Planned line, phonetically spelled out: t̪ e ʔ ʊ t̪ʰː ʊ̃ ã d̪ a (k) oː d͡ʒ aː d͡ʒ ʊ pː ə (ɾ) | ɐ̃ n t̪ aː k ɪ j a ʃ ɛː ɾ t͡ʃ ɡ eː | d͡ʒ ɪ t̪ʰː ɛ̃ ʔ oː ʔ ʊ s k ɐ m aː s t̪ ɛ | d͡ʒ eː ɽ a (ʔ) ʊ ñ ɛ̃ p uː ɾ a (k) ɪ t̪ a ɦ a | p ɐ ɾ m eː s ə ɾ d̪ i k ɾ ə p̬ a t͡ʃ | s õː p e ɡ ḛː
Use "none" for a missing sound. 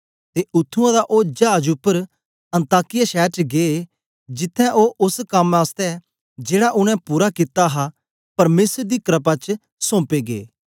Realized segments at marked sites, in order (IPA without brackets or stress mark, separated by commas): ʔ, ɾ, ʔ, k